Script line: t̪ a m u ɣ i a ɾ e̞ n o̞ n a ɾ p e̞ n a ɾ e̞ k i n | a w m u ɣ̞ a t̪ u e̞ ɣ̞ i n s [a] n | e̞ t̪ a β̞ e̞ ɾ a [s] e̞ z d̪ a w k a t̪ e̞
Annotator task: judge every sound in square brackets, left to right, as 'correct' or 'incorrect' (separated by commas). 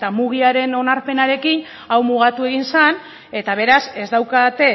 correct, correct